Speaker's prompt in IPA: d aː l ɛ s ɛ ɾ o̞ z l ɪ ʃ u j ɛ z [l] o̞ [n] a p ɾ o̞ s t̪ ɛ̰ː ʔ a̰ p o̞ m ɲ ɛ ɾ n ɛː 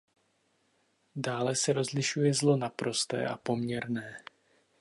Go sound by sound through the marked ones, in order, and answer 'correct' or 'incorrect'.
correct, correct

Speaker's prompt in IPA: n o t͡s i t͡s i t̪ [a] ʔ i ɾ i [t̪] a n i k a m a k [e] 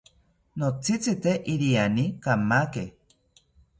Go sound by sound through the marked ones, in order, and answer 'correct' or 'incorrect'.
incorrect: e, incorrect: none, correct

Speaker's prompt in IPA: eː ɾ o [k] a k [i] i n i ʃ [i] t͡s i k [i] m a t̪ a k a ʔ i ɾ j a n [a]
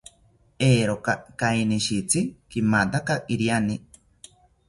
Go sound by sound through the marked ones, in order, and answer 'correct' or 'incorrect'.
correct, incorrect: a, correct, correct, incorrect: i

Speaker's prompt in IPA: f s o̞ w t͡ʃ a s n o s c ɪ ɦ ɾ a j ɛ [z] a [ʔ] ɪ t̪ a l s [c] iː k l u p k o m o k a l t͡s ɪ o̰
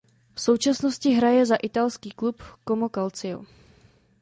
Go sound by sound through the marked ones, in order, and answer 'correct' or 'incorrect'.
correct, correct, incorrect: k

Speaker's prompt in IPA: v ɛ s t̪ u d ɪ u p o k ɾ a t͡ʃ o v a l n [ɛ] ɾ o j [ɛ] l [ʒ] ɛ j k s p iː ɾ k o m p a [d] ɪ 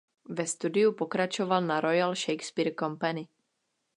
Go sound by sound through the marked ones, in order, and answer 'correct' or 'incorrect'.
incorrect: a, incorrect: a, incorrect: ʃ, incorrect: n

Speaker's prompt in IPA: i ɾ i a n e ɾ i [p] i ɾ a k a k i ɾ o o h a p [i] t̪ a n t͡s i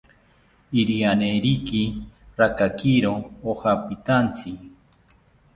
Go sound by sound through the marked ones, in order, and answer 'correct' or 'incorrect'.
incorrect: k, correct

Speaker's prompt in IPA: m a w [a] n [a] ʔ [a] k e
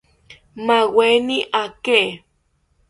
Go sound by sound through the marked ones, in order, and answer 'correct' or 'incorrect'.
incorrect: e, incorrect: i, correct

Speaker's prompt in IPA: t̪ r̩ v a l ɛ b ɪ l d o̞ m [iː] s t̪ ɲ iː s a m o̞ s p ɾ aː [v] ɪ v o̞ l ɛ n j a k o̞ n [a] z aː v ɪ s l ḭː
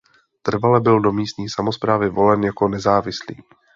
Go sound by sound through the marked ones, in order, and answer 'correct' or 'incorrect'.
correct, correct, incorrect: ɛ

